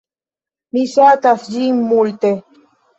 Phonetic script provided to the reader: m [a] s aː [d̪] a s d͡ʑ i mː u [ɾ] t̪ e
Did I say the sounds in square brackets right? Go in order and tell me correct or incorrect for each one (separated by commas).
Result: incorrect, incorrect, incorrect